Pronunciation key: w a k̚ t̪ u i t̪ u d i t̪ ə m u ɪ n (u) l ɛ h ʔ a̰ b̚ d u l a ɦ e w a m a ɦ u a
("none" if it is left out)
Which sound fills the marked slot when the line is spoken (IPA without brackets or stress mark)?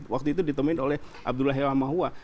o